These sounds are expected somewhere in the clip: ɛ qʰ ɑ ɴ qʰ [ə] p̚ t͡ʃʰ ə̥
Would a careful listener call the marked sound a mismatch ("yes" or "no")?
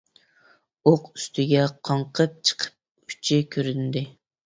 no